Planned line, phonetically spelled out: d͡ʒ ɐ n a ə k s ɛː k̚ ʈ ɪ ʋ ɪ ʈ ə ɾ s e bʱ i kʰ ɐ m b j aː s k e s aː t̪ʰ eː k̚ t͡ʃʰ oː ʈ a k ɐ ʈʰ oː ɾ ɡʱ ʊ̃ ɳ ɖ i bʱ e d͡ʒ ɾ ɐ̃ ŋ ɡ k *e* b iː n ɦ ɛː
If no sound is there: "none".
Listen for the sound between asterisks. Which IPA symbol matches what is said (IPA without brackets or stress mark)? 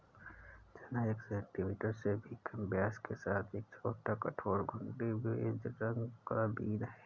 a